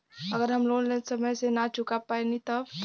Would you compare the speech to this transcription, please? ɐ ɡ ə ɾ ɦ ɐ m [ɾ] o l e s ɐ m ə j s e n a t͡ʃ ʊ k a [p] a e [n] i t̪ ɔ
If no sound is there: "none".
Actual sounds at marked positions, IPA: l, p, n

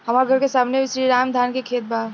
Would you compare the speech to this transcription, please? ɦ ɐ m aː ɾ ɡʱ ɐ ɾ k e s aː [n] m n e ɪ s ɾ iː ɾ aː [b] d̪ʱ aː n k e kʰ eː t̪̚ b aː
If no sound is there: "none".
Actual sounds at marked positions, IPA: none, m

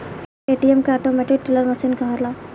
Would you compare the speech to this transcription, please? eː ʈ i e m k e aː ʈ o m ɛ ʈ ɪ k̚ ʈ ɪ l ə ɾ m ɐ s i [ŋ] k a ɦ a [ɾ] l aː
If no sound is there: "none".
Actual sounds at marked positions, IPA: n, ɾ

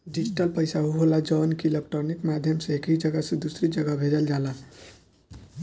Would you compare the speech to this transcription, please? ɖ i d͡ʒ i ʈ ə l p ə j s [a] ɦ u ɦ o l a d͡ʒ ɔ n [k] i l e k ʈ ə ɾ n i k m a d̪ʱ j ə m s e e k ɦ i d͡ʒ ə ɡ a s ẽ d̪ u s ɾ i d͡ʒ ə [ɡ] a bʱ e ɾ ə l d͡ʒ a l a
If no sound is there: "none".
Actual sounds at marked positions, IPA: a, k, ɡ

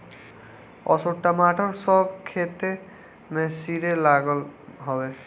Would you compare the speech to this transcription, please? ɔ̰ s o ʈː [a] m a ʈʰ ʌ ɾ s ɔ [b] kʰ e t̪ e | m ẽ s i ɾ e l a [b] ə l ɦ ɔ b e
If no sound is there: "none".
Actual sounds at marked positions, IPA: a, b, ɡ

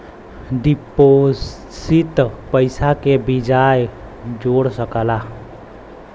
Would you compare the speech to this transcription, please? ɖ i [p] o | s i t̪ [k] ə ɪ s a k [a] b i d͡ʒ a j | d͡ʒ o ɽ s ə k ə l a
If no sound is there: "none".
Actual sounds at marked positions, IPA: p, p, e

